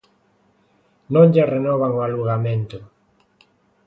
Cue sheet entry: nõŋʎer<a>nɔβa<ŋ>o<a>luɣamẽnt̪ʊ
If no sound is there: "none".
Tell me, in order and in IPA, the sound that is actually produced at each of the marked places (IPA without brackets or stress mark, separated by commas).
e, ŋ, a